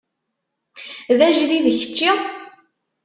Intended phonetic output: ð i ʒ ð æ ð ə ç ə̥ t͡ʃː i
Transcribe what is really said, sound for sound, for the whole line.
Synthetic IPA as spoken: ð æ ʒ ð i ð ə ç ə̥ t͡ʃː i